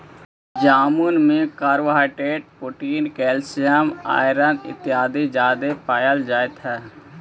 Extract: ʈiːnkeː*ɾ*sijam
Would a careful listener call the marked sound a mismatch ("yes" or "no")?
yes